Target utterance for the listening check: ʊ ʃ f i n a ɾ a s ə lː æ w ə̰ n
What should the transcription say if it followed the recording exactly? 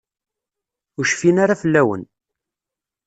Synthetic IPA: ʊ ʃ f i n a ɾ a f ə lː æ w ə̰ n